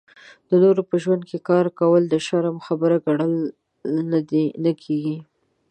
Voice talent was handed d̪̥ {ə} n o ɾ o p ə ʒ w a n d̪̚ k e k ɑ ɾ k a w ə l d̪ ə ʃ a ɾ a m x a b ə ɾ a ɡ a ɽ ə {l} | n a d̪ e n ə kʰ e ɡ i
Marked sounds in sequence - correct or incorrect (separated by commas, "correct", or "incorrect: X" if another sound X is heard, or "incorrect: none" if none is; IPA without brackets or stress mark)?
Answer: correct, correct